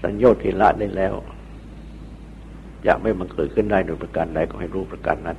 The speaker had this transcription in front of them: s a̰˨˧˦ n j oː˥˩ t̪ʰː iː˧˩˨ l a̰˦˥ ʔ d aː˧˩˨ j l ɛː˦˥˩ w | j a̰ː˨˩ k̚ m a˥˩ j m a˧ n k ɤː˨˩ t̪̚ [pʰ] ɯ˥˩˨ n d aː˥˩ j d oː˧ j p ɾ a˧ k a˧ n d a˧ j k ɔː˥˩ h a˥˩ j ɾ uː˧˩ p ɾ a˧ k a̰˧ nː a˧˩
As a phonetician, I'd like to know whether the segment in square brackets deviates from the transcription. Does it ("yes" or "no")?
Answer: yes